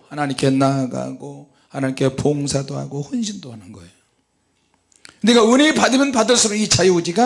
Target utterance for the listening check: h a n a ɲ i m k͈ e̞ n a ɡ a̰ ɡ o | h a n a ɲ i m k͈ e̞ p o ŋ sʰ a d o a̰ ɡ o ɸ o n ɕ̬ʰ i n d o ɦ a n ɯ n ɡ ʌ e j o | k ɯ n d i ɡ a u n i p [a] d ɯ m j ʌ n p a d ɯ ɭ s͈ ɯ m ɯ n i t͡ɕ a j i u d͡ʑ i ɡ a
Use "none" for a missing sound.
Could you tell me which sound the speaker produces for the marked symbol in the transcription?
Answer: a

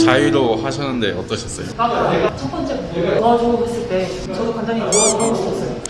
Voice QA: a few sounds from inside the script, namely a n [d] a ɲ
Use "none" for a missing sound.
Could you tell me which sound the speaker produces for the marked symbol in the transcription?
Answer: d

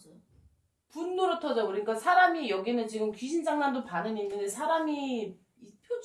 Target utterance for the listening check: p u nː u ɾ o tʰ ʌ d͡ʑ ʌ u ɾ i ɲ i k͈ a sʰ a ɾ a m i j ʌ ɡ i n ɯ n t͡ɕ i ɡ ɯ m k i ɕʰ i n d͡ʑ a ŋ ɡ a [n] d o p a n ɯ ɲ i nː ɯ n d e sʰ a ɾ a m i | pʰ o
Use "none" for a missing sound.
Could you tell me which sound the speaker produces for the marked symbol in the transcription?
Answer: n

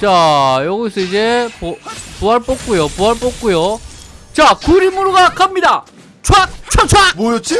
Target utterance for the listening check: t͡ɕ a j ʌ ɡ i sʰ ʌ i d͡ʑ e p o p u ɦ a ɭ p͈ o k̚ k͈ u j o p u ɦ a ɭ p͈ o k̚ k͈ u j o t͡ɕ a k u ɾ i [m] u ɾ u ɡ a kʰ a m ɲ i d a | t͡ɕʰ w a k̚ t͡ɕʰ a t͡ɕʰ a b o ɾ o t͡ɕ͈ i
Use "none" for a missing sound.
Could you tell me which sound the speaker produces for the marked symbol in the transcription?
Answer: m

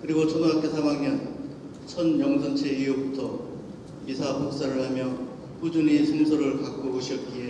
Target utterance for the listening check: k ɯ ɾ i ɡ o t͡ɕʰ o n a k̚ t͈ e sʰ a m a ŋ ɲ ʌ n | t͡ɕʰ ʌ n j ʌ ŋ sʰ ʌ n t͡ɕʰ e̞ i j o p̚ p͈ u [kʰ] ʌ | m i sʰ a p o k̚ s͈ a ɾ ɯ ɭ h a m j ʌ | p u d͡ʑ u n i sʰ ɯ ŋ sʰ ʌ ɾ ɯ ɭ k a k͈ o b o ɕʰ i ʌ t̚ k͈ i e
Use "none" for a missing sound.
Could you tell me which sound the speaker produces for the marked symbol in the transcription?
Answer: tʰ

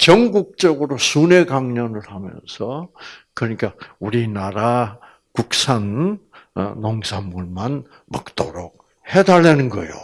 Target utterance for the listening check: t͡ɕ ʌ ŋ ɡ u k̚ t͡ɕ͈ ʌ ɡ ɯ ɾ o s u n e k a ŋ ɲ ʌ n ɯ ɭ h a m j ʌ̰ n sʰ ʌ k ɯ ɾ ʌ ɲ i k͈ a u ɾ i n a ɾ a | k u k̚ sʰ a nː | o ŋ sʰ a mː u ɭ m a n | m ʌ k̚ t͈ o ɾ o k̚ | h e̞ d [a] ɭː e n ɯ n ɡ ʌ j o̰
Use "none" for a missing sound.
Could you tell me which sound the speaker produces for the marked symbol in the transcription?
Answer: a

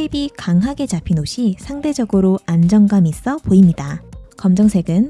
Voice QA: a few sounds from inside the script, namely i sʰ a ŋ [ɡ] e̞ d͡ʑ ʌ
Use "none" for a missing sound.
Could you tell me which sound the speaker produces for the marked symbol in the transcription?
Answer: d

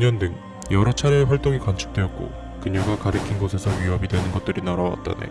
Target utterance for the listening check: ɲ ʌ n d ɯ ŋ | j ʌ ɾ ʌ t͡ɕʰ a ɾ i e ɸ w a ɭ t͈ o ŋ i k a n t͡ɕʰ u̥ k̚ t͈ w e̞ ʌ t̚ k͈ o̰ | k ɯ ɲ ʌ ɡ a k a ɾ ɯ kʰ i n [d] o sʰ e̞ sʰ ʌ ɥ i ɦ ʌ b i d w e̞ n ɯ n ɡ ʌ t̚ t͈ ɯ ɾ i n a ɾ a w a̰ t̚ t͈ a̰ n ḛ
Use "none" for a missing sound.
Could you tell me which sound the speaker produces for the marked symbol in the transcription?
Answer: ɡ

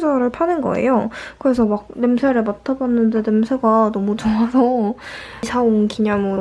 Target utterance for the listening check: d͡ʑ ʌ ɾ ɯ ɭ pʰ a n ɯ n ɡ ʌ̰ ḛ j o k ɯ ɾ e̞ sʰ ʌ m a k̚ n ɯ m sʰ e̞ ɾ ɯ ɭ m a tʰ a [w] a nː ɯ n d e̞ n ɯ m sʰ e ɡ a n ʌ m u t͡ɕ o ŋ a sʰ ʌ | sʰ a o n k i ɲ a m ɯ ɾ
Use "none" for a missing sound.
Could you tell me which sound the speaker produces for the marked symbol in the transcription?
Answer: b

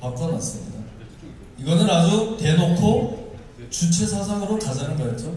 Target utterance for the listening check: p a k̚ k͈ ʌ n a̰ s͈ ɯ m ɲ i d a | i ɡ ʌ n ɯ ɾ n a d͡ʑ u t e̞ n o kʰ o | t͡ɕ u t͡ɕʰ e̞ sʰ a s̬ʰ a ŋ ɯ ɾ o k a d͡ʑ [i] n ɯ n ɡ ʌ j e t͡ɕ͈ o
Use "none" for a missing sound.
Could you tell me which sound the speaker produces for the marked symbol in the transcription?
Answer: a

